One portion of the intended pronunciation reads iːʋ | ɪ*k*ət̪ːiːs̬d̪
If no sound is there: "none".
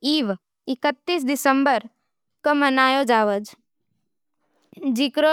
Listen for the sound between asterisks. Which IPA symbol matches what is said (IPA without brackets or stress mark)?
k